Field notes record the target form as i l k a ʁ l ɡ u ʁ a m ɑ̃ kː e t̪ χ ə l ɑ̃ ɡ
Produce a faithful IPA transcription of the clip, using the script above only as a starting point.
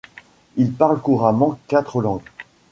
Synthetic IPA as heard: i l p a ʁ l k u ʁ a m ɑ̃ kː a t̪ χ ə l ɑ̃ ɡ